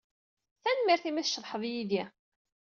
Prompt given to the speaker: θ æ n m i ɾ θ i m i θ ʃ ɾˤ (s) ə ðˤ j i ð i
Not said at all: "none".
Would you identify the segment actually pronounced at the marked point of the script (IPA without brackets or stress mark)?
ħ